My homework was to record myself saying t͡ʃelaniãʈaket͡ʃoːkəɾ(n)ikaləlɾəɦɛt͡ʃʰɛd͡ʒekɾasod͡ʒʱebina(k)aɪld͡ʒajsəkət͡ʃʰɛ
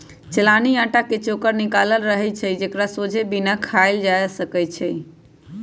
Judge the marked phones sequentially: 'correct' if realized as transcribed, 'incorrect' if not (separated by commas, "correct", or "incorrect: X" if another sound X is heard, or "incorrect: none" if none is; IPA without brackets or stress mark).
correct, incorrect: kʰ